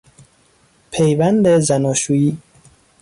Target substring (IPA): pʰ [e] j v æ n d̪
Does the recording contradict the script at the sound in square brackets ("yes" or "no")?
no